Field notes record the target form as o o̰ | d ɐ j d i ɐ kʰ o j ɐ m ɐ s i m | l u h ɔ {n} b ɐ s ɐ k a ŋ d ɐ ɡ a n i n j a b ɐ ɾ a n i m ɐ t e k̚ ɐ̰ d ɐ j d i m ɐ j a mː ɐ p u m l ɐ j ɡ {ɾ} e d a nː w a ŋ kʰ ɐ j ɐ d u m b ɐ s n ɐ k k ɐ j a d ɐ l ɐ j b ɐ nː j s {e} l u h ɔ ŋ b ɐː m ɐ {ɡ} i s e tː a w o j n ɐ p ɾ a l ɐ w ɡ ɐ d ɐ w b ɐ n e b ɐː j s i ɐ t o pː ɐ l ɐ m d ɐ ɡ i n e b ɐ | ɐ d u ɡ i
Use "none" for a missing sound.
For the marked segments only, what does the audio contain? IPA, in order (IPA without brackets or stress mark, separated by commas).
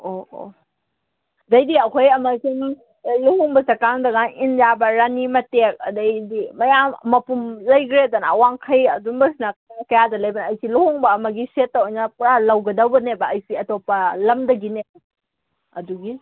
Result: ŋ, ɾ, i, ɡ